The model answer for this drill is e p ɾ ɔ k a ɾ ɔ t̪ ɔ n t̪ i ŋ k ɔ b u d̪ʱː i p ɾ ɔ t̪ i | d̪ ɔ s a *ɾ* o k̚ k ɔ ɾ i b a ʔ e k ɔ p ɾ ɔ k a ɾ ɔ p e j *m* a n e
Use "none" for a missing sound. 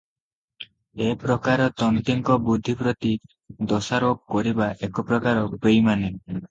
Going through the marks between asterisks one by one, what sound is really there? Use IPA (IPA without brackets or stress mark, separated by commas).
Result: ɾ, m